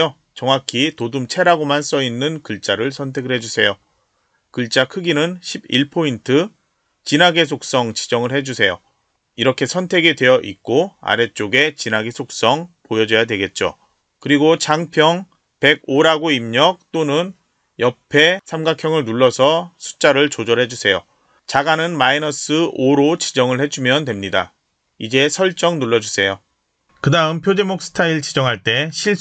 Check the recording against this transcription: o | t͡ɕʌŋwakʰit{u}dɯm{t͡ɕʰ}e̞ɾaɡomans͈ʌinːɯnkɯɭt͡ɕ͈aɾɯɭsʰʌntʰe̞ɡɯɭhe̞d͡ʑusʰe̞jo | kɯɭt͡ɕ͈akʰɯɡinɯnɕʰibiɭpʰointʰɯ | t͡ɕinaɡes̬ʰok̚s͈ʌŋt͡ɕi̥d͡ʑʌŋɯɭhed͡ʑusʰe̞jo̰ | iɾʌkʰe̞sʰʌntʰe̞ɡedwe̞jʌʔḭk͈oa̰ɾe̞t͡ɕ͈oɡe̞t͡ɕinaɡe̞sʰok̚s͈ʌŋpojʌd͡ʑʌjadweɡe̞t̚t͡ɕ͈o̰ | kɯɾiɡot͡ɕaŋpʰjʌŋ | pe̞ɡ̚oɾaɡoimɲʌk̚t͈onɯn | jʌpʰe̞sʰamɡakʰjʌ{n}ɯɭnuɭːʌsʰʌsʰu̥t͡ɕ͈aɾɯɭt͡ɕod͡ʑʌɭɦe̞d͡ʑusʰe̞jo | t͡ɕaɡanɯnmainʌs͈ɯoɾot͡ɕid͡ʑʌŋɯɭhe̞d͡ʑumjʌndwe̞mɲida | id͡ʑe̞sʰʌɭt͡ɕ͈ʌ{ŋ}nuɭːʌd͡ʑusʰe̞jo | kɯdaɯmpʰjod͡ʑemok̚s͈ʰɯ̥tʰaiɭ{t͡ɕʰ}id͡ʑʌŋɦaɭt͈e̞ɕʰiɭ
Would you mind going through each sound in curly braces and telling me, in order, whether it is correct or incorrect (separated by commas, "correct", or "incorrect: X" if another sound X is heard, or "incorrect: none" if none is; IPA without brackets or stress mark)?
incorrect: o, correct, incorrect: ŋ, correct, incorrect: t͡ɕ